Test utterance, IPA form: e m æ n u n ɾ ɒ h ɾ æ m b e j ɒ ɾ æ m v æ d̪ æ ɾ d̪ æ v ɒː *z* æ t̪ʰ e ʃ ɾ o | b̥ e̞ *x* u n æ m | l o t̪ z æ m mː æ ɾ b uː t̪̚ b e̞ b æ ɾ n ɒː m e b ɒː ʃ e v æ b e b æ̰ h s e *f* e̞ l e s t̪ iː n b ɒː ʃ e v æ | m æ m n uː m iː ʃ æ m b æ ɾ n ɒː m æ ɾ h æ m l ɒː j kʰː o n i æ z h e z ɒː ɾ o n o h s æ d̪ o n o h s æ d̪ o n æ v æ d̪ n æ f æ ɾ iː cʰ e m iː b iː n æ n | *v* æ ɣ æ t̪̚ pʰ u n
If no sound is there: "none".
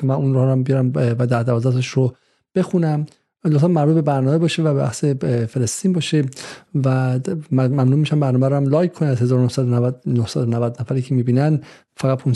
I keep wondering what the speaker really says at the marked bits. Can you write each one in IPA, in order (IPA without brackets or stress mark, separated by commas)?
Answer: z, x, f, f